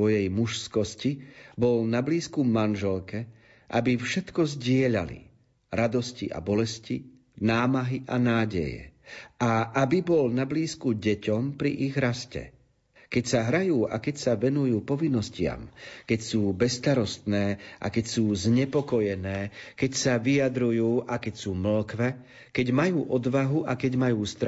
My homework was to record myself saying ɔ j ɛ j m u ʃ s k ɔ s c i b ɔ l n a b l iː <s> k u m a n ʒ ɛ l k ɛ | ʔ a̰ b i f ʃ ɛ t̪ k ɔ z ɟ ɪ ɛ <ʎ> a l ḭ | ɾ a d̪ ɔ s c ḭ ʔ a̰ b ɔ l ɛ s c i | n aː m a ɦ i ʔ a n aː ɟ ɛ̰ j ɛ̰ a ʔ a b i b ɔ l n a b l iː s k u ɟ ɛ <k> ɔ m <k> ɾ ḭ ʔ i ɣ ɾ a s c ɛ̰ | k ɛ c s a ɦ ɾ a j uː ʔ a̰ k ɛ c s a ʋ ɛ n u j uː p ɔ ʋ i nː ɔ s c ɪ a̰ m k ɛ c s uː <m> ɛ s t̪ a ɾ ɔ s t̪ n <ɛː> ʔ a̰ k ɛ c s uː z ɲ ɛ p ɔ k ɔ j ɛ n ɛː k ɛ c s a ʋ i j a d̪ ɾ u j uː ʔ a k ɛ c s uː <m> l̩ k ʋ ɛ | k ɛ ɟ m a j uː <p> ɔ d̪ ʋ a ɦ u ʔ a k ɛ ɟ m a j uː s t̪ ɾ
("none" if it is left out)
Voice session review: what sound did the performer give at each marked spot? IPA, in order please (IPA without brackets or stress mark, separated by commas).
s, ʎ, c, p, b, ɛː, m, ʔ